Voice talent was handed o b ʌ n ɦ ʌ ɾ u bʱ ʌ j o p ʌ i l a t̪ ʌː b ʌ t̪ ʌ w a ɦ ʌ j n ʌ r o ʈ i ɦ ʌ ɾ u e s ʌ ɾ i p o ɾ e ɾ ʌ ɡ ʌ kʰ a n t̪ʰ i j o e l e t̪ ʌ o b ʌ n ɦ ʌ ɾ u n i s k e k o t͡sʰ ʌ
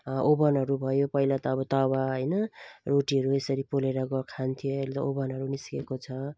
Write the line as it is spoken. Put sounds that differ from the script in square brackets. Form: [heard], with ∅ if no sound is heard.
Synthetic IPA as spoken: o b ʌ n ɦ ʌ ɾ u bʱ ʌ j o p ʌ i l a t̪ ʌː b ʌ t̪ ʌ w a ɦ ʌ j n ʌ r o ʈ i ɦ ʌ ɾ u e s ʌ ɾ i p o [l] e ɾ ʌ ɡ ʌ kʰ a n t̪ʰ i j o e l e t̪ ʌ o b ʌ n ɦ ʌ ɾ u n i s k e k o t͡sʰ ʌ